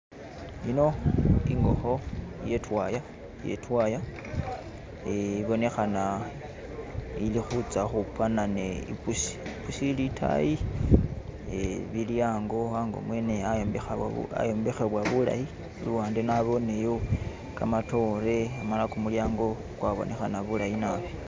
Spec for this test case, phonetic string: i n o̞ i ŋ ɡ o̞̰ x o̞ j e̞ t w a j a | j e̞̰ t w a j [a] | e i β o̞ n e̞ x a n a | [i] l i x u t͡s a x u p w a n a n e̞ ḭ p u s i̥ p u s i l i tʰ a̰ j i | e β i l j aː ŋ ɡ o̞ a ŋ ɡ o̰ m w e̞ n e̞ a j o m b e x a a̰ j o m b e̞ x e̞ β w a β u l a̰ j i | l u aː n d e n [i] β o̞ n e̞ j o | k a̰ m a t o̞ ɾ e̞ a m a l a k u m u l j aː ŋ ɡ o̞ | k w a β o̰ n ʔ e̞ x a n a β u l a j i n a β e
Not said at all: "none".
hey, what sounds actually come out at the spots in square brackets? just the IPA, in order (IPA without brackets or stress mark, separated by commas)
a, i, a